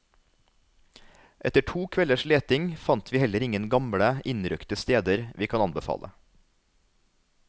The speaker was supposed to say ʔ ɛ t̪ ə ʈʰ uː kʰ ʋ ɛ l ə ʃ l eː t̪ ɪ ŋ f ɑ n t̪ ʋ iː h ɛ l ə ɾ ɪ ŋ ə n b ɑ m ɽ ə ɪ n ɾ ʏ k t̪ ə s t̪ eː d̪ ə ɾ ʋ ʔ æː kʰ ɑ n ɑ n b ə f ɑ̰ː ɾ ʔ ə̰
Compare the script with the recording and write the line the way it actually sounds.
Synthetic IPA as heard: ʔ ɛ t̪ ə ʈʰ uː kʰ ʋ ɛ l ə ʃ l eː t̪ ɪ ŋ f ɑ n t̪ ʋ iː h ɛ l ə ɾ ɪ ŋ ə n ɡ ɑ m ɽ ə ɪ n ɾ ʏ k t̪ ə s t̪ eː d̪ ə ɾ ʋ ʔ iː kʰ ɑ n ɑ n b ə f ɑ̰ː l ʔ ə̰